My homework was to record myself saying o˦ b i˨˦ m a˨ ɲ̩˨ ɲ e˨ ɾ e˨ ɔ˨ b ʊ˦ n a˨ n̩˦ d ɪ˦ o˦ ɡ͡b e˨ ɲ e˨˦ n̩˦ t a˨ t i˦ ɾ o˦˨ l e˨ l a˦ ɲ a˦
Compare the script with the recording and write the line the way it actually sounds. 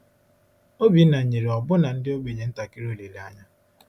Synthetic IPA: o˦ b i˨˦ n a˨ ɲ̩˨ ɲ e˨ ɾ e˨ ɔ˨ b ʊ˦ n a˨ n̩˦ d ɪ˦ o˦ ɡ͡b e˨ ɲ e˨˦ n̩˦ t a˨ k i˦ ɾ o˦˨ l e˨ l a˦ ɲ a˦